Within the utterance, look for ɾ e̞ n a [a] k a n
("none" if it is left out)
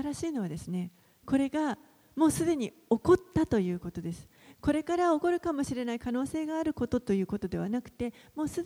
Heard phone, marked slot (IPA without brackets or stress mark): i